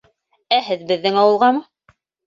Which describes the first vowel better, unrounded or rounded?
unrounded